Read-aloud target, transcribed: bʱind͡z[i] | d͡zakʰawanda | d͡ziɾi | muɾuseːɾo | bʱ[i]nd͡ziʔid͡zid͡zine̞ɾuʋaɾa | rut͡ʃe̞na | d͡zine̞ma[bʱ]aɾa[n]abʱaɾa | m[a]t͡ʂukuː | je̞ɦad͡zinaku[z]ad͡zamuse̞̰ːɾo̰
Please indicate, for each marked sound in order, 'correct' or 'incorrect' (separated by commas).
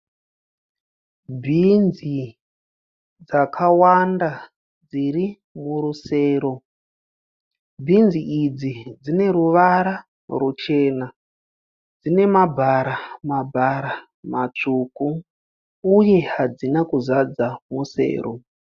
correct, correct, correct, incorrect, correct, correct